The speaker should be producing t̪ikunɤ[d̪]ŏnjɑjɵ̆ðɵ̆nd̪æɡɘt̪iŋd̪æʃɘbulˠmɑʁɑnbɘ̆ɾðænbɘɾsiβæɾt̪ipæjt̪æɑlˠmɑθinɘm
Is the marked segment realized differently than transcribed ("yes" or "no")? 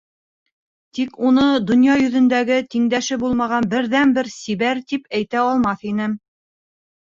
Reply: no